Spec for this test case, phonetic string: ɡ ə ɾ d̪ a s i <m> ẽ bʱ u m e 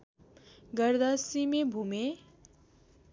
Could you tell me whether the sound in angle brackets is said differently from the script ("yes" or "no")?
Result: no